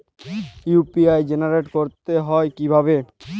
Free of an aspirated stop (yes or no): yes